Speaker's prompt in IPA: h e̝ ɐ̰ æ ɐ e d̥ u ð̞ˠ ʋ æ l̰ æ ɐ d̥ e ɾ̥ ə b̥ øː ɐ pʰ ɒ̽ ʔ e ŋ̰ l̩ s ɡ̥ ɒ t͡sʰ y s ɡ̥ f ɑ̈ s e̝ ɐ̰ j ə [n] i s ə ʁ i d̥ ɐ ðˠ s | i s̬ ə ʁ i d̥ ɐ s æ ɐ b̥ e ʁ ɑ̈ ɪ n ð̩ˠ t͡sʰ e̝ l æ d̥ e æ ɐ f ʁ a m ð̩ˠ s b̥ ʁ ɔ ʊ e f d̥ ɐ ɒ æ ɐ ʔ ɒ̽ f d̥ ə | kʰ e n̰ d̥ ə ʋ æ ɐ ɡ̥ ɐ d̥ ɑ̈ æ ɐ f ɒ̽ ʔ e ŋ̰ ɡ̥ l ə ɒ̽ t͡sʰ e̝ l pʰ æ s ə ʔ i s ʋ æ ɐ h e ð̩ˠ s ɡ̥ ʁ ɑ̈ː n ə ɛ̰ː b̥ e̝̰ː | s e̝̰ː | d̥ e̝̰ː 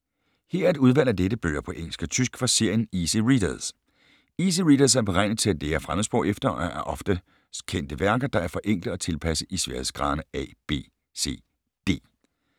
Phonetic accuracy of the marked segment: correct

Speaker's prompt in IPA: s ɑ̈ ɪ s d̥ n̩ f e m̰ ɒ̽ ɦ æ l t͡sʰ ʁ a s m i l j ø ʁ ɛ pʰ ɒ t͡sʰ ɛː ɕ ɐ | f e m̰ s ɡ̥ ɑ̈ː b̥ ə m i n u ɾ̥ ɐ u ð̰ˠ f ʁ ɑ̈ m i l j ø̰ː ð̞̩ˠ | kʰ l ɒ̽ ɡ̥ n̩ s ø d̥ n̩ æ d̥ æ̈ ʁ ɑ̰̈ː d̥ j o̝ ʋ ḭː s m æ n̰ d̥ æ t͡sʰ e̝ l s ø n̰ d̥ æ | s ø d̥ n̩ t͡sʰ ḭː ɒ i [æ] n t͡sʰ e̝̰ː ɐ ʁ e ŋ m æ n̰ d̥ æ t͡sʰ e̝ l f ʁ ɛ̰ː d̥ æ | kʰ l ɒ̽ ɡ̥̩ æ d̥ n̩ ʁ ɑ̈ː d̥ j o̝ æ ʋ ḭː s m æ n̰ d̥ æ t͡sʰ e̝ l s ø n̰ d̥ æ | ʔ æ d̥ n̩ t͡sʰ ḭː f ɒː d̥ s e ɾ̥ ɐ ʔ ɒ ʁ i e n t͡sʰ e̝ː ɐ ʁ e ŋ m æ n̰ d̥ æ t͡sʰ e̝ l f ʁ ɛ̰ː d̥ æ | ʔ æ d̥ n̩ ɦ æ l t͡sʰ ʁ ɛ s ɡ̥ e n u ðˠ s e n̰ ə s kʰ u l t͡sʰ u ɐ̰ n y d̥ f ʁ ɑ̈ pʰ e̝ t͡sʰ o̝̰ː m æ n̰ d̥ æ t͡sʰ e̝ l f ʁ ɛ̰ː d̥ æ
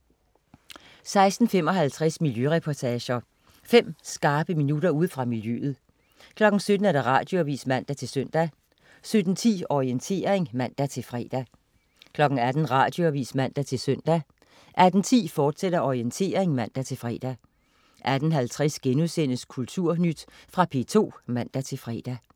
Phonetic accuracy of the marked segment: incorrect: e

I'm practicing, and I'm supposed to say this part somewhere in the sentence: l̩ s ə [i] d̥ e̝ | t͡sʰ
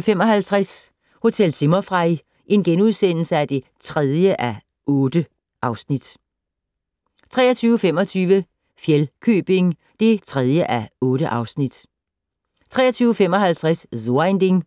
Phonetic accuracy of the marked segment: incorrect: æ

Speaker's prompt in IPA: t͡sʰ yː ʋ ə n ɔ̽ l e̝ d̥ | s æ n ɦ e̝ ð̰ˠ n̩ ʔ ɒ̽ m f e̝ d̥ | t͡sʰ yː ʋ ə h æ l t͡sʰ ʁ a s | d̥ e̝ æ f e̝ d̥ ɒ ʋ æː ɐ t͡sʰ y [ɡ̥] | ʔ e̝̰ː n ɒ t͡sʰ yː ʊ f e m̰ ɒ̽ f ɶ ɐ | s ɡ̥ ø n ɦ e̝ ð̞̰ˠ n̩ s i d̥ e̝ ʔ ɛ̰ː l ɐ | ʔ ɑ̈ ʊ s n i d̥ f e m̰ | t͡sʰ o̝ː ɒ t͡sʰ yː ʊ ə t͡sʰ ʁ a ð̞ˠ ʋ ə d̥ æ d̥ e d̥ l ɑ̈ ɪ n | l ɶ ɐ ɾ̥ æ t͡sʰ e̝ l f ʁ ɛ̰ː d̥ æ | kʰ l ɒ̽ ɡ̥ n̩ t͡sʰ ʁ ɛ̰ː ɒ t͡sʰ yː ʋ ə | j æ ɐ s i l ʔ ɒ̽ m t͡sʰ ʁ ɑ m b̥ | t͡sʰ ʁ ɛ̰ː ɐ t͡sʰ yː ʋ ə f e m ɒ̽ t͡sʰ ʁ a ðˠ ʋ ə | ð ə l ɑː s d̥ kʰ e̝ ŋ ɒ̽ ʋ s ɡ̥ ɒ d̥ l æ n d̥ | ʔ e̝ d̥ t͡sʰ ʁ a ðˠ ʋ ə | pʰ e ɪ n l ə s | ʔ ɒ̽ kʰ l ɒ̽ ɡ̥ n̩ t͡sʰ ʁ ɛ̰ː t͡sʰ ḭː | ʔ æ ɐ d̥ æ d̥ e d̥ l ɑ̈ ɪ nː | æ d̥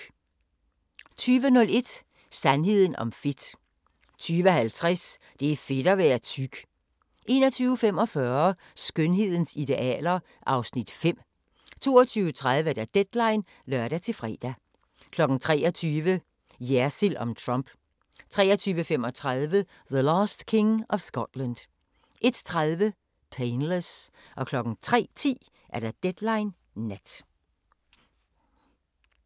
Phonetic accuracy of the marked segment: correct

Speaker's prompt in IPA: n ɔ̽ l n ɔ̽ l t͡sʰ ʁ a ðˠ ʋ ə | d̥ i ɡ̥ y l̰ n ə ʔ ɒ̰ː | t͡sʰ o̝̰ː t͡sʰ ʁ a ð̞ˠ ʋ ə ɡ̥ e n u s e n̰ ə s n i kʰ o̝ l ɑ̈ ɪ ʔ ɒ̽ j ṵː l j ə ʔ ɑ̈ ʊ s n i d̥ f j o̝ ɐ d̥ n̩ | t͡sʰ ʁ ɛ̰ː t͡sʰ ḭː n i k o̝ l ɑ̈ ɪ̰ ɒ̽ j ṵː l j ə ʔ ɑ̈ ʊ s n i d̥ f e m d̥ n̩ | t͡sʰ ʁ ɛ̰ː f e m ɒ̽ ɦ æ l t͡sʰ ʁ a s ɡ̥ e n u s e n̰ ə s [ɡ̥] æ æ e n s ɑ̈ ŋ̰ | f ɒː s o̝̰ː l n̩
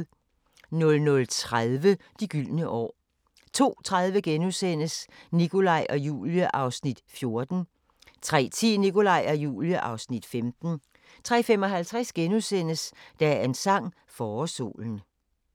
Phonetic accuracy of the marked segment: incorrect: d̥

